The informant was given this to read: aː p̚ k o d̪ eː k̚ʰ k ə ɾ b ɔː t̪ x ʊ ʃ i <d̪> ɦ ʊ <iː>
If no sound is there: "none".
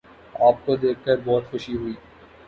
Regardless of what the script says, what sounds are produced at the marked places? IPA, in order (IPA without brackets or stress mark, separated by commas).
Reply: none, iː